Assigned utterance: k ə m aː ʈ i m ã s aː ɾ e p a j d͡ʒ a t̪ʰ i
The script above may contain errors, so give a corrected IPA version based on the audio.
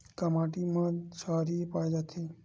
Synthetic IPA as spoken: k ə m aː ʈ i m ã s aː ɾ i p a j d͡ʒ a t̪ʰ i